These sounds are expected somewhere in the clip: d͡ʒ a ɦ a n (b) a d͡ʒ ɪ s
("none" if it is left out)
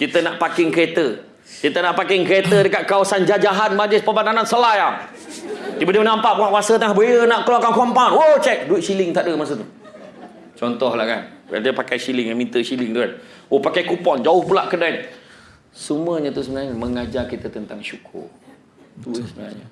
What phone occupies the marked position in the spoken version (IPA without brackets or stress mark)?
m